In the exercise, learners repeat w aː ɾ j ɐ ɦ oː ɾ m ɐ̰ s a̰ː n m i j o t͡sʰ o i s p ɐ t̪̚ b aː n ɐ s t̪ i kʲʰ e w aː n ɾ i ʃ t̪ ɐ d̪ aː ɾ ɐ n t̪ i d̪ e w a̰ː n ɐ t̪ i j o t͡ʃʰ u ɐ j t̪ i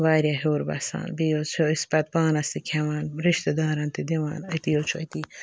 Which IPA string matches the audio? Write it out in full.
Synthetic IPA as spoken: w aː ɾ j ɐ ɦ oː ɾ b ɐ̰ s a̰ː n b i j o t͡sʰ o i s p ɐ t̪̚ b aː n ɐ s t̪ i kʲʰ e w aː n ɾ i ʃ t̪ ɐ d̪ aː ɾ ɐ n t̪ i d̪ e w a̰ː n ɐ t̪ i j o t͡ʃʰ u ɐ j t̪ i